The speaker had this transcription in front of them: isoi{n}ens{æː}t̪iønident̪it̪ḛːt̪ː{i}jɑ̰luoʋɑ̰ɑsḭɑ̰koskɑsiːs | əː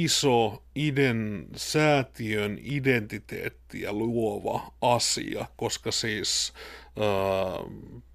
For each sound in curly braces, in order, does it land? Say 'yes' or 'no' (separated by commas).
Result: no, yes, yes